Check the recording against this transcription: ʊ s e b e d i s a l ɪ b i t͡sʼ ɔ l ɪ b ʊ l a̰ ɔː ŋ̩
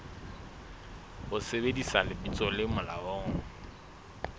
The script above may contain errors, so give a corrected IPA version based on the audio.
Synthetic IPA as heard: ʊ s e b e d i s a l ɪ b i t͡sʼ ɔ l ɪ m ʊ l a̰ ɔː ŋ̩